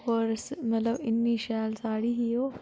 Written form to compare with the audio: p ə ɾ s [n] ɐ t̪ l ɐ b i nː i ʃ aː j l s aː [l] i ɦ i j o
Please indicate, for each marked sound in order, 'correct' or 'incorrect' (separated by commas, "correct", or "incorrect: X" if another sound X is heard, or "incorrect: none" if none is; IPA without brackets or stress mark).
incorrect: m, incorrect: ɽ